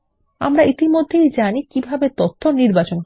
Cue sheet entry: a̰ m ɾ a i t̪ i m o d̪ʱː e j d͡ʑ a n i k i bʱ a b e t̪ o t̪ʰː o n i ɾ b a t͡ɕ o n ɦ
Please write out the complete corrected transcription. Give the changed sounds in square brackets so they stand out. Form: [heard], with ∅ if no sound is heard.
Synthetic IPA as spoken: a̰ m ɾ a i t̪ i m o d̪ʱː e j d͡ʑ a n i k i bʱ a b e t̪ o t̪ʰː o n i ɾ b a t͡ɕ o n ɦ